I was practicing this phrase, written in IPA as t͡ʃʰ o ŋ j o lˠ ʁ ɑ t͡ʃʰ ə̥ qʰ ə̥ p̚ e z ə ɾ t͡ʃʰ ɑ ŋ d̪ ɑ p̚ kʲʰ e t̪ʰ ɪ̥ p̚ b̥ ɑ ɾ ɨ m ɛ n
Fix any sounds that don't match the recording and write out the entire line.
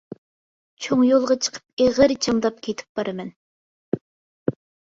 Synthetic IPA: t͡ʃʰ o ŋ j o lˠ ʁ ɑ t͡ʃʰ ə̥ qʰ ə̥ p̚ e ʁ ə ɾ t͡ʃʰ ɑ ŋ d̪ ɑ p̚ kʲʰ e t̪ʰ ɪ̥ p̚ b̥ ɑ ɾ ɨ m ɛ n